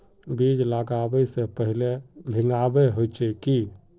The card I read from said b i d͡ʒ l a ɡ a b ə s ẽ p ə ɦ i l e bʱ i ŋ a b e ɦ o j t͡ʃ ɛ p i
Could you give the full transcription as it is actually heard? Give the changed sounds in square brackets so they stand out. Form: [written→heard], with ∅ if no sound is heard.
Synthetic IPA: b i d͡ʒ l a ɡ a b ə s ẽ p ə ɦ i l e bʱ i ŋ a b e ɦ o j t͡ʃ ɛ [p→k] i